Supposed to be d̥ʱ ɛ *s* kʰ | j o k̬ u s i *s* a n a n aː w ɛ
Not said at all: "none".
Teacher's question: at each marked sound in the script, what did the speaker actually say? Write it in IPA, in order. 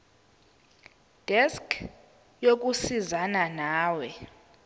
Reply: s, z

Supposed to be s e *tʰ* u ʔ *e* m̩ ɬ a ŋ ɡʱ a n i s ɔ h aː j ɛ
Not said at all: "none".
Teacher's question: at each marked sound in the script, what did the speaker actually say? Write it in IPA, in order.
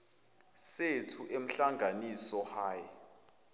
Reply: tʰ, e

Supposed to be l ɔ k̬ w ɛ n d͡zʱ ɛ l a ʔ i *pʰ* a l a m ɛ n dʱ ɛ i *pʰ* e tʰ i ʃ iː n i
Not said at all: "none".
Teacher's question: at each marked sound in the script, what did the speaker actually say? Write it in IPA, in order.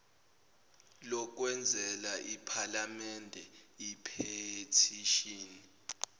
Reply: pʰ, pʰ

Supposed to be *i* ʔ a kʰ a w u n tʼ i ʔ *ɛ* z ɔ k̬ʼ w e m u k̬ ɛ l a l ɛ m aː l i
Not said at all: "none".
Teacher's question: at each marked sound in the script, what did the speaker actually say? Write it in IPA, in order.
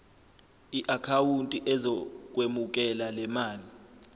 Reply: i, ɛ

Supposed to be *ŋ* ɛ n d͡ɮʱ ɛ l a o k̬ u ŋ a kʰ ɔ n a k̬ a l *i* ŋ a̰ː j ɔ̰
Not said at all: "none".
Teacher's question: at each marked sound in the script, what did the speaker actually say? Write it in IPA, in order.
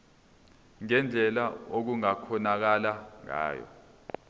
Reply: ŋ, a

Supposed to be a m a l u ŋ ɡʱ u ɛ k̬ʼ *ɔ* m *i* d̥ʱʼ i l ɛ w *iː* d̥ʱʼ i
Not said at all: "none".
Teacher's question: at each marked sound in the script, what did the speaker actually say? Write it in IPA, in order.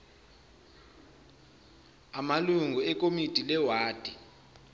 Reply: o, i, aː

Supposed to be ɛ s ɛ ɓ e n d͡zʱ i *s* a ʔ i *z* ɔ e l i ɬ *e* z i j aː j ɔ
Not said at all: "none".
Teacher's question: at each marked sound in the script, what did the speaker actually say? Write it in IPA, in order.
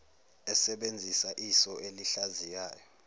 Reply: s, s, a

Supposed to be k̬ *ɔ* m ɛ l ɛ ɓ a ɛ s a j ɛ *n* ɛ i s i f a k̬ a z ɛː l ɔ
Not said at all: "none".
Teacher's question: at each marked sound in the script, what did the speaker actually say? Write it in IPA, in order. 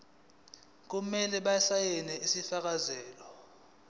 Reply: u, n

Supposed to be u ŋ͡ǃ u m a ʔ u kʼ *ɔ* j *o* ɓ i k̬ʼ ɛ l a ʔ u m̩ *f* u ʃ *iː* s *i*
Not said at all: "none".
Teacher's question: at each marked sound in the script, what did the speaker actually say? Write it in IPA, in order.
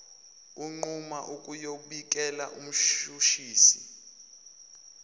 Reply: u, o, ʃ, iː, i

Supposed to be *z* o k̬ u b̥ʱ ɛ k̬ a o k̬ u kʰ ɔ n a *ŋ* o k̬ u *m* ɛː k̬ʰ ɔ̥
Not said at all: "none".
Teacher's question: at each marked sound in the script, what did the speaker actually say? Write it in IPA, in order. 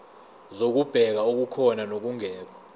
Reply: z, n, ŋ

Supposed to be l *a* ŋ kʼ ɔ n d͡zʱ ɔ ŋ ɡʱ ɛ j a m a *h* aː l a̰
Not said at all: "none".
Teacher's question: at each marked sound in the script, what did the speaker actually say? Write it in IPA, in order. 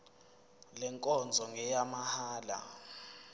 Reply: ɛ, h

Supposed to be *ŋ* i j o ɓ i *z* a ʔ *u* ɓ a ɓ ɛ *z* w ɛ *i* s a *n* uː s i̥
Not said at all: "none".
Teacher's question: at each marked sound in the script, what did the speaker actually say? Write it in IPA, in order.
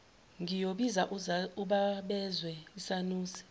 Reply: ŋ, z, u, z, i, n

